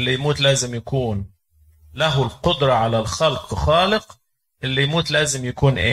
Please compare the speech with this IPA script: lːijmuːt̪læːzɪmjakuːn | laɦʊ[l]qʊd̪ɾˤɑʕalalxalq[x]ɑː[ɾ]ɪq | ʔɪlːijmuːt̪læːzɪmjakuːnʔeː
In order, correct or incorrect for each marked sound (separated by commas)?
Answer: correct, correct, incorrect